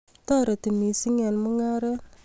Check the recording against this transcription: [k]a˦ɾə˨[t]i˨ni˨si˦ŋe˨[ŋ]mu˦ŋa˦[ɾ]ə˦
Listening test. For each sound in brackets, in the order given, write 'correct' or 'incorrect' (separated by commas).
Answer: incorrect, correct, incorrect, correct